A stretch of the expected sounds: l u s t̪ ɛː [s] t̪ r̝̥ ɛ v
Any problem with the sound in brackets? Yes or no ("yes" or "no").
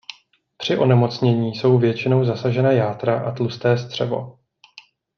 no